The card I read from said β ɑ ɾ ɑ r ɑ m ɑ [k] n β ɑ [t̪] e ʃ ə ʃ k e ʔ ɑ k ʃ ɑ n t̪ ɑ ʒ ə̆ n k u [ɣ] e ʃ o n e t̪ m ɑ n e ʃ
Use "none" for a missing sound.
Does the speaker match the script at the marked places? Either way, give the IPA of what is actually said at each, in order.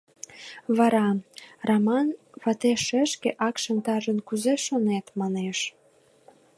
none, t̪, z

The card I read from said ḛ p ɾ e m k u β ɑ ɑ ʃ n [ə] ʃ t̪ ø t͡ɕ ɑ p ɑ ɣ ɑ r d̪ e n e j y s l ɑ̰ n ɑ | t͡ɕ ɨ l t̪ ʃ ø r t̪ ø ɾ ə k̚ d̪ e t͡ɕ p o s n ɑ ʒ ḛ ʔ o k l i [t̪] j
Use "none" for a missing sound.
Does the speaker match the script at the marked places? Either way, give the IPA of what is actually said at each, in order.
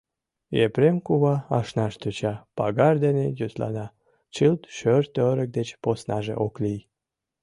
ɑ, none

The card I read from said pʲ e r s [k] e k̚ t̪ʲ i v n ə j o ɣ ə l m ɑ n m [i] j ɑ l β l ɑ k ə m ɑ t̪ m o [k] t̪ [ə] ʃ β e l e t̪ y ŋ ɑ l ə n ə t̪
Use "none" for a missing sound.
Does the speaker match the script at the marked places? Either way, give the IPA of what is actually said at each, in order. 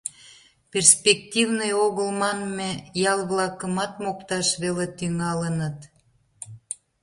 p, e, k, ɑ

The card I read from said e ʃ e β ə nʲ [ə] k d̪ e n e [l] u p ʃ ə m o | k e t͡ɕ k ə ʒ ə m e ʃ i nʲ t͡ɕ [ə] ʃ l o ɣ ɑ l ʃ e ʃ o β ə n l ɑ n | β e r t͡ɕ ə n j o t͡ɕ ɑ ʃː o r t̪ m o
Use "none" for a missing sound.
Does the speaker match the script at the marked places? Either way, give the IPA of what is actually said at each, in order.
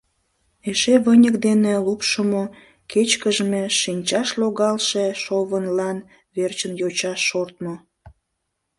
ə, l, ɑ

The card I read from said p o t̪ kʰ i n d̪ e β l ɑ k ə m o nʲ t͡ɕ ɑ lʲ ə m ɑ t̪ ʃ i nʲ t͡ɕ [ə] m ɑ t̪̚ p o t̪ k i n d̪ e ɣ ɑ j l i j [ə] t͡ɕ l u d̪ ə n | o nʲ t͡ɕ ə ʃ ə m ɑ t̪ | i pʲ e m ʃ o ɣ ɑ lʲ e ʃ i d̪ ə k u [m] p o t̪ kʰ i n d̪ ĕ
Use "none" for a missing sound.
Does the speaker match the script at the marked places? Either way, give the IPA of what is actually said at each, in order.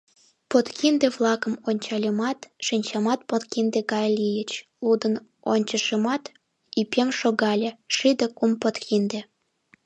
ɑ, ə, m

